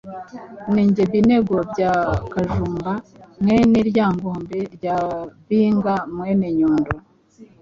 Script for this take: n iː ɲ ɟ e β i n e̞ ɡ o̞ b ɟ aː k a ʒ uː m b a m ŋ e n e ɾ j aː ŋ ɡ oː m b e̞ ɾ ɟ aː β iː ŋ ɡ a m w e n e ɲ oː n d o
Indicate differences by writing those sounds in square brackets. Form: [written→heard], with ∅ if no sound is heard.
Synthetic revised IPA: n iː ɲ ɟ e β i n e̞ ɡ o̞ b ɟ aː k a ʒ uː m b a m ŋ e n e ɾ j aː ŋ ɡ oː m b e̞ ɾ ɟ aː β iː ŋ ɡ a m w e n e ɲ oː n d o